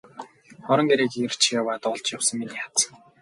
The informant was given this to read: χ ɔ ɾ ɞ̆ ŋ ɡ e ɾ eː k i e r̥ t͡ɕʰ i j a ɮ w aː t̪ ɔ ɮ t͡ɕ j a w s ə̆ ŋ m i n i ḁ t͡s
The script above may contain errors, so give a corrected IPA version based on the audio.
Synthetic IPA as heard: χ ɔ ɾ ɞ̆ ŋ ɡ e ɾ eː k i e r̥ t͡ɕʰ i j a w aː t̪ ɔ ɮ t͡ɕ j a w s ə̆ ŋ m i n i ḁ t͡s